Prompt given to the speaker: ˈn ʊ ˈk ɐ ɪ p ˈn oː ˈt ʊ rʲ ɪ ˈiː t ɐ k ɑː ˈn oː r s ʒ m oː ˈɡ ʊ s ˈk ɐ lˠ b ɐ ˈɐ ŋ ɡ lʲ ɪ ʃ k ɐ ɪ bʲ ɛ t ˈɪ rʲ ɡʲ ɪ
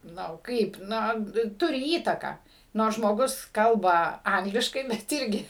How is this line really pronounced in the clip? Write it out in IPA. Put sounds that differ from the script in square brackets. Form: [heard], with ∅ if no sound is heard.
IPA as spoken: ˈn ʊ ˈk ɐ ɪ p ˈn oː ˈt ʊ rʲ ɪ ˈiː t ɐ k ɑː ˈn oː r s ʒ m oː ˈɡ ʊ s ˈk ɐ lˠ b ɐ ˈɐ ŋ ɡ lʲ ɪ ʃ k ɐ ɪ bʲ ɛ t ˈɪ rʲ ɡʲ ɪ